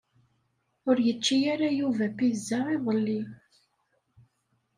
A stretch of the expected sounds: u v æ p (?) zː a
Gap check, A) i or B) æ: A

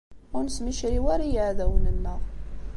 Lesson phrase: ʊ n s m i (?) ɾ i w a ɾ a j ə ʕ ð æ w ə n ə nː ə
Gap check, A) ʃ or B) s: A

